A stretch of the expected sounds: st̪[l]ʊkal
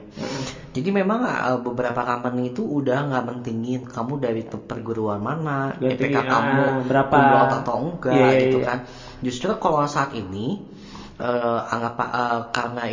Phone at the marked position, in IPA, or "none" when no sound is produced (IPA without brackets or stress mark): ɾ